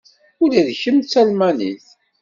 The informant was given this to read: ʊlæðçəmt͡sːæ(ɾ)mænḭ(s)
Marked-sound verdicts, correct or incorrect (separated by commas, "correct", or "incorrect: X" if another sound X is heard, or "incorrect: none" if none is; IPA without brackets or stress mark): incorrect: l, incorrect: θ